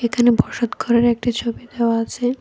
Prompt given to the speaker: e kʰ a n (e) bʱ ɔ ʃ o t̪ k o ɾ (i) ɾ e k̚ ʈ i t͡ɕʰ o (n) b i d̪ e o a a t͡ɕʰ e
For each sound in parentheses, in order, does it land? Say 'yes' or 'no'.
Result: yes, no, no

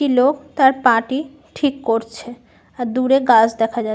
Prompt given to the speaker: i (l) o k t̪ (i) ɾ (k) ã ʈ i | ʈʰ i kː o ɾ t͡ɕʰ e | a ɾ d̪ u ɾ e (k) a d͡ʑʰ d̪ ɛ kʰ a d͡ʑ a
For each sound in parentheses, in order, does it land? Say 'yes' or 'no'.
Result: yes, no, no, no

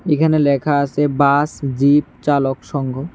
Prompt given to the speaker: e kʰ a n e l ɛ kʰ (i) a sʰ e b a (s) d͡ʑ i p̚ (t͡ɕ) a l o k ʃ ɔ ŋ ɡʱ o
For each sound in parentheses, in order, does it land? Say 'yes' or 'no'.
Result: no, yes, yes

